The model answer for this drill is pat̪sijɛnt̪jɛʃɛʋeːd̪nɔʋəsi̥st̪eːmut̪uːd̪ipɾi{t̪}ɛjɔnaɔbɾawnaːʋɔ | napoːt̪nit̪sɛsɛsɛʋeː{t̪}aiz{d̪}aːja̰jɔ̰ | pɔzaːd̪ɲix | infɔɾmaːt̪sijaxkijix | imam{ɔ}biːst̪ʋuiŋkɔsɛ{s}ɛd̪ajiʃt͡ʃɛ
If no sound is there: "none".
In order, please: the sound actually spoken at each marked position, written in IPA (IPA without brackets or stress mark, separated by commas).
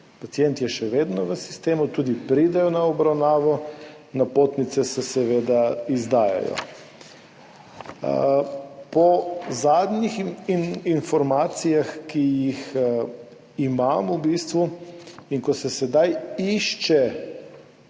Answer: d̪, d̪, d̪, u, s